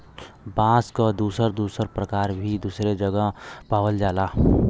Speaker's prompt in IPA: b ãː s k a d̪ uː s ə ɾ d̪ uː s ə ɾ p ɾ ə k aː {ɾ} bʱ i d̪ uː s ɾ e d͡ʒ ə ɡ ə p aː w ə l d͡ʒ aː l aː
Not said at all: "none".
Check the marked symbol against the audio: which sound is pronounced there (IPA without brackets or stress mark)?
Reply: ɾ